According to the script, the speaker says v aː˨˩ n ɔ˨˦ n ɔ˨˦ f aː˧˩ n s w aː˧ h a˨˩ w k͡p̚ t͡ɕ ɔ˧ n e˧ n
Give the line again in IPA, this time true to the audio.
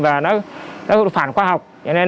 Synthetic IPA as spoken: v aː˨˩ n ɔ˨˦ n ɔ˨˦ f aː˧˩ n x w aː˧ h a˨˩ w k͡p̚ t͡ɕ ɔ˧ n e˧ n